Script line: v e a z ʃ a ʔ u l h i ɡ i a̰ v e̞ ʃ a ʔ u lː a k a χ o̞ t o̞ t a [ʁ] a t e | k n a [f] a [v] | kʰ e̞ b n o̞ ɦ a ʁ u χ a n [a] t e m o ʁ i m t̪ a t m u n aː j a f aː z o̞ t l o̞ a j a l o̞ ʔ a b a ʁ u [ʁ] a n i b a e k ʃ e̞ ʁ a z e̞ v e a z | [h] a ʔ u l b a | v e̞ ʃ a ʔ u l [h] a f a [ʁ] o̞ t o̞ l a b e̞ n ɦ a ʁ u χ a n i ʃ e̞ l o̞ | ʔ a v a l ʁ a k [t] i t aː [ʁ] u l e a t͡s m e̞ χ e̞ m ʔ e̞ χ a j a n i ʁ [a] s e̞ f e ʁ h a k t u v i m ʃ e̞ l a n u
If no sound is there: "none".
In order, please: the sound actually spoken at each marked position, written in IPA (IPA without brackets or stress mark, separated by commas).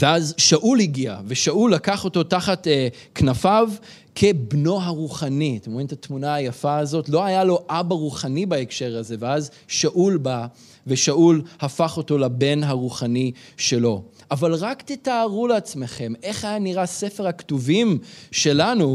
χ, f, v, i, χ, ʃ, h, χ, t, ʁ, a